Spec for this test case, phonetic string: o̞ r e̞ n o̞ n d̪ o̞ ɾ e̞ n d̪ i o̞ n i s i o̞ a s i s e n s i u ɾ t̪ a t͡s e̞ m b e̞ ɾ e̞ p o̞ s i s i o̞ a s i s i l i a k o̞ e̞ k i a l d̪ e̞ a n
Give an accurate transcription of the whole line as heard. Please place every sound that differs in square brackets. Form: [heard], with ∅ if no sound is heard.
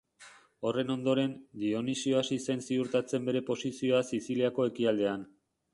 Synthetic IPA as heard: o̞ r e̞ n o̞ n d̪ o̞ ɾ e̞ n d̪ i o̞ n i s i o̞ a s i s e n s i u ɾ t̪ a t͡s e̞ m b e̞ ɾ e̞ p o̞ s i s i o̞ a s i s i l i a k o̞ e̞ k i a l d̪ e̞ a n